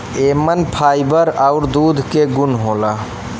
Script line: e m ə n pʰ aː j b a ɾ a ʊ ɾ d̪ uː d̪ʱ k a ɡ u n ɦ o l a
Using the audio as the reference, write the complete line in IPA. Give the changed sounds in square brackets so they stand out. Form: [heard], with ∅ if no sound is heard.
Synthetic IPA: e m ə n pʰ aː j b [ə] ɾ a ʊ ɾ d̪ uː d̪ʱ k [e] ɡ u n ɦ o l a